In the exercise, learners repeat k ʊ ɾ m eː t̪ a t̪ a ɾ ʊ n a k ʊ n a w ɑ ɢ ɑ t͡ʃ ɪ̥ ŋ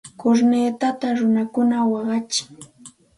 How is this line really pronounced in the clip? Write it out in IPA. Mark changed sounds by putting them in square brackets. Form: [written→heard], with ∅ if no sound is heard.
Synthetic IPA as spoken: k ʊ ɾ [m→n] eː t̪ a t̪ a ɾ ʊ n a k ʊ n a w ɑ ɢ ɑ t͡ʃ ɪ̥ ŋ